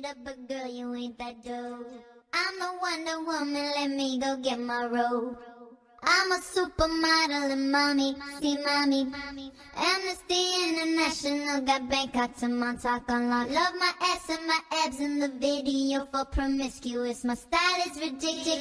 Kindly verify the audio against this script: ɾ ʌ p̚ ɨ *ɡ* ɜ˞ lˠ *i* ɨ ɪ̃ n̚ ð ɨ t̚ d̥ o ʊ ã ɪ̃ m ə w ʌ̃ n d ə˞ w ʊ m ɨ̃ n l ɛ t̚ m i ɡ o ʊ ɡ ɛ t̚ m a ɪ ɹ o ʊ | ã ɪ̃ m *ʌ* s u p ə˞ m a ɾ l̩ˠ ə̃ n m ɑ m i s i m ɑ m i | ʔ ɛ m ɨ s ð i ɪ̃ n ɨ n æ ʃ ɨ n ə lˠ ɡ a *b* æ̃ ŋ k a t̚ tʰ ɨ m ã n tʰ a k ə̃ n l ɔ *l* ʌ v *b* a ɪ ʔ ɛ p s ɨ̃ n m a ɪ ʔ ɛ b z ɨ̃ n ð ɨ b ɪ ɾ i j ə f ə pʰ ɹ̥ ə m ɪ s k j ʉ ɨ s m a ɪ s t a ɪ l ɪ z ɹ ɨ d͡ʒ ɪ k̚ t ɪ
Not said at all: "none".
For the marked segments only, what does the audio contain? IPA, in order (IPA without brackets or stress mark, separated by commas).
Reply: ɡ, j, ə, b, l, m